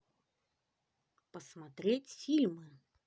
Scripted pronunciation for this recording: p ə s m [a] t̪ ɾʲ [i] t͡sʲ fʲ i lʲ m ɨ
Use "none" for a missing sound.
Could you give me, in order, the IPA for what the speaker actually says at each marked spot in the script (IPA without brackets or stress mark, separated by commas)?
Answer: a, e